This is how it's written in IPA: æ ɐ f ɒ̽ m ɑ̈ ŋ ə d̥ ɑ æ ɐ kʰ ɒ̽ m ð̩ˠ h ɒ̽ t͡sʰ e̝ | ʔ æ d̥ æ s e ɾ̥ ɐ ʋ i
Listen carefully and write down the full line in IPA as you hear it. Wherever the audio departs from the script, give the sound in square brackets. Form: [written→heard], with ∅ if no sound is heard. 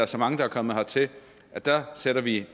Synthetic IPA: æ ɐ [f→s] ɒ̽ m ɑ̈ ŋ ə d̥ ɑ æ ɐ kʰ ɒ̽ m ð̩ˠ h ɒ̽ t͡sʰ e̝ | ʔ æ d̥ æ s e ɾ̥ ɐ ʋ i